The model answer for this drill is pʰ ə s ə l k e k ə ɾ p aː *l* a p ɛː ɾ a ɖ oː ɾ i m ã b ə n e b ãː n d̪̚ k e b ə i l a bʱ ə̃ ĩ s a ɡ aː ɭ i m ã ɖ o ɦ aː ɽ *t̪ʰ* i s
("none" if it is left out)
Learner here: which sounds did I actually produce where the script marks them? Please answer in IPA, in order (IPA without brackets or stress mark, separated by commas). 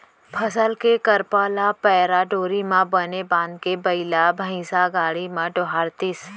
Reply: l, t̪